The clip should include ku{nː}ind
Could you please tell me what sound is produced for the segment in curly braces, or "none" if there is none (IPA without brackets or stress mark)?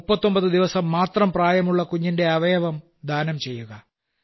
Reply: ɲː